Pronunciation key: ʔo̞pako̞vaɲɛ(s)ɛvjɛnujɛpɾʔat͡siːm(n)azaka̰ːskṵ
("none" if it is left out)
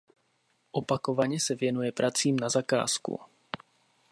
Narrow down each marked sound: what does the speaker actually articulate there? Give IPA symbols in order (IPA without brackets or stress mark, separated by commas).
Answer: s, n